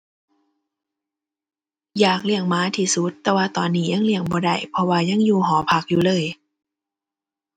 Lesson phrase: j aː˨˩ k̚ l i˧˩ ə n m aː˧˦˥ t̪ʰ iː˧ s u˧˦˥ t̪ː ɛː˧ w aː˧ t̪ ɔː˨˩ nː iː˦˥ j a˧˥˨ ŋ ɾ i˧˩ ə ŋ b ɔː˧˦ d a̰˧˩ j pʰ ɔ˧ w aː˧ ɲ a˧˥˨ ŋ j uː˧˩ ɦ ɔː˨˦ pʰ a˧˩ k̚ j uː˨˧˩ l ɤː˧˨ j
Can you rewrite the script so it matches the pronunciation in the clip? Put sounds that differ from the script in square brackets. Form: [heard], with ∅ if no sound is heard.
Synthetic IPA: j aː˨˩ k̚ l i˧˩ ə [ŋ] m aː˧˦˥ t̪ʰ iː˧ s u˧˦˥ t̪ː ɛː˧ w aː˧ t̪ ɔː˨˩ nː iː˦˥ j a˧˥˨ ŋ [l] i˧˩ ə ŋ b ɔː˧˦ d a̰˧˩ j pʰ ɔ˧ w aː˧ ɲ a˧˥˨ ŋ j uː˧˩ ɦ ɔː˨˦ pʰ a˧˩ k̚ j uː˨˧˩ l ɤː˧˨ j